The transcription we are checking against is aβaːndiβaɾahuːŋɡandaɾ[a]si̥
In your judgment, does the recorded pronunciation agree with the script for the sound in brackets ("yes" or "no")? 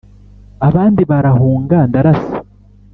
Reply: yes